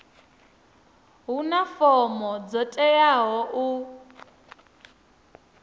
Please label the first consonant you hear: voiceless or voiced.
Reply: voiced